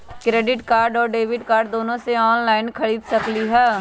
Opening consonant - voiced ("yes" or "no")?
no